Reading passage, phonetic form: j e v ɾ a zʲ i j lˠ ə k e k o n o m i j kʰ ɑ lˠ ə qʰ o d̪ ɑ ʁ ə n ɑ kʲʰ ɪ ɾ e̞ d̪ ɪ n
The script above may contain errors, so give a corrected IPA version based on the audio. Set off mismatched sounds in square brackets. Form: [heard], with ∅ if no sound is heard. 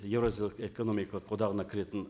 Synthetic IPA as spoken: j e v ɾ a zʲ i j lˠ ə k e k o n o m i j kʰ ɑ lˠ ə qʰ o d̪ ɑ ʁ ə n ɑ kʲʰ ɪ ɾ e̞ [t̪] ɪ n